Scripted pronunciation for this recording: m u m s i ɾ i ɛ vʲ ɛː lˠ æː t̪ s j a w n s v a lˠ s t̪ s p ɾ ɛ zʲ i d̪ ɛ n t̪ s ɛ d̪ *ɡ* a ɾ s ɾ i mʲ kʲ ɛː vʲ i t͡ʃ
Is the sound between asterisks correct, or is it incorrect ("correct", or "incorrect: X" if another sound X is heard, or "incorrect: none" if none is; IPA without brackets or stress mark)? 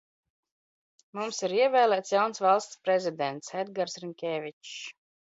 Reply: correct